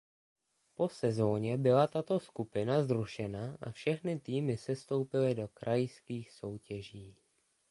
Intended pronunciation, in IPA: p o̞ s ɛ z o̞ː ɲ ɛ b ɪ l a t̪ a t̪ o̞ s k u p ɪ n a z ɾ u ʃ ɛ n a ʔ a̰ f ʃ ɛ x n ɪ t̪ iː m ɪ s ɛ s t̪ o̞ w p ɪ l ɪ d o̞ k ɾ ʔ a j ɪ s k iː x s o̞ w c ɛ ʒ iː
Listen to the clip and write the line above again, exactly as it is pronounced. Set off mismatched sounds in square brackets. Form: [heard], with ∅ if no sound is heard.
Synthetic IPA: p o̞ s ɛ z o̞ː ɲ ɛ b ɪ l a t̪ a t̪ o̞ s k u p ɪ n a z ɾ u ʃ ɛ n a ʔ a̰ f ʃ ɛ x n ɪ t̪ iː m ɪ s ɛ s t̪ o̞ w p ɪ l ɪ d o̞ k ɾ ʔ a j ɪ s k iː x s o̞ w c ɛ ʒ iː